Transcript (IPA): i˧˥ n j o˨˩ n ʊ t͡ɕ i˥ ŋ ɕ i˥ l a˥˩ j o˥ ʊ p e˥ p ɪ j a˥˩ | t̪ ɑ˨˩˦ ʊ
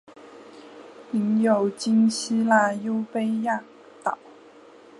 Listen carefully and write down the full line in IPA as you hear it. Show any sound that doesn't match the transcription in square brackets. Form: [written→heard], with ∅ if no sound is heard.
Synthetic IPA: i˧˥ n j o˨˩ [n→∅] ʊ t͡ɕ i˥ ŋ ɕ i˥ l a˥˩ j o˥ ʊ p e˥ [p→∅] ɪ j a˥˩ | t̪ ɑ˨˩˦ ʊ